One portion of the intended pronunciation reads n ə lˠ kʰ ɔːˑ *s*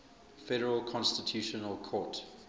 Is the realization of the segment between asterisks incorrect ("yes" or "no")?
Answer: yes